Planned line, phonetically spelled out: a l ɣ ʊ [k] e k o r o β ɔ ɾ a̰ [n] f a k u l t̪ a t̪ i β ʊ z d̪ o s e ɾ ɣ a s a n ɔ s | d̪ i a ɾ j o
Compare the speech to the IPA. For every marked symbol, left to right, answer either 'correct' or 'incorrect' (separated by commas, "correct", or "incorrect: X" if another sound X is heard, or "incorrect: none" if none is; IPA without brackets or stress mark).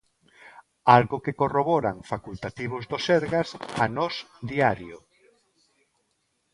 correct, incorrect: ŋ